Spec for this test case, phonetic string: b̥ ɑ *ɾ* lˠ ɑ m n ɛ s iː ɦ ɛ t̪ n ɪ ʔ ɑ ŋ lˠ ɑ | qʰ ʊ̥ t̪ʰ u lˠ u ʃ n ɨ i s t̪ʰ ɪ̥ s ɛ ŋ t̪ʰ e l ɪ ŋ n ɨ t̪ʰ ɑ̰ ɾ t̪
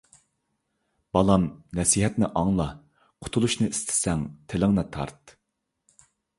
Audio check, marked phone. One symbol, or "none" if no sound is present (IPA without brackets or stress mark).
none